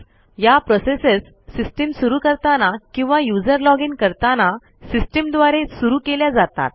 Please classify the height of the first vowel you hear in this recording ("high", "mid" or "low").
low